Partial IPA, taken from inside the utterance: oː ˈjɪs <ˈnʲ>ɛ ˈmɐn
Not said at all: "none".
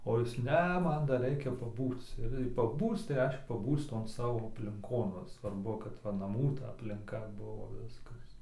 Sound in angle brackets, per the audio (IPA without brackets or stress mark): nʲ